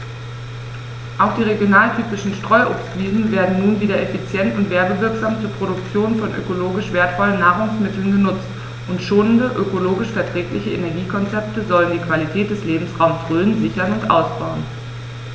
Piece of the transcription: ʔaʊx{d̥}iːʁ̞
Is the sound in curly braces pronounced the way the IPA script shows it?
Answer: yes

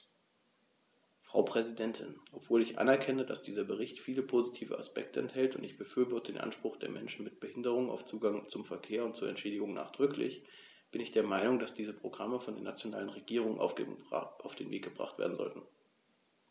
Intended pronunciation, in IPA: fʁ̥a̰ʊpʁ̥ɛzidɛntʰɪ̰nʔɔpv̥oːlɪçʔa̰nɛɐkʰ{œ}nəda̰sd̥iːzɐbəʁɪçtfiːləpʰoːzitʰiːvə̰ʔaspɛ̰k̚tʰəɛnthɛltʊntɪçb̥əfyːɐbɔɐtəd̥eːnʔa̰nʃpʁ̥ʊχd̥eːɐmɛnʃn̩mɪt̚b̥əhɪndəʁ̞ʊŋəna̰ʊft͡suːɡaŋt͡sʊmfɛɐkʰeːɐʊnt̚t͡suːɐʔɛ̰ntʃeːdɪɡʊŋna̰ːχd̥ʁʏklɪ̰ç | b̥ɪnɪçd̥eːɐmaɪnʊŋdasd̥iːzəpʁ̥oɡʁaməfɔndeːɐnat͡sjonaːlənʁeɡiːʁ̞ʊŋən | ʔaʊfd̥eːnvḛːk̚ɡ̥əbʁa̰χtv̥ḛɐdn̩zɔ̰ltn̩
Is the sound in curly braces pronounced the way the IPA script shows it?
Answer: no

